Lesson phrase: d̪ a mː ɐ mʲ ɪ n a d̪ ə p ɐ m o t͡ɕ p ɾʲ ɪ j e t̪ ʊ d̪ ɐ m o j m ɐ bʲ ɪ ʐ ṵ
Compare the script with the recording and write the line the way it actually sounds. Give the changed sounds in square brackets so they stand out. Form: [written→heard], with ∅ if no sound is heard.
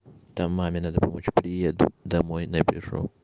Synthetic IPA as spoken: [d̪→t̪] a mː [ɐ→a] mʲ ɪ n a d̪ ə p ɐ m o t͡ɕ p ɾʲ ɪ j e [t̪→d̪] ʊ d̪ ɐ m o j [m→n] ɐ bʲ ɪ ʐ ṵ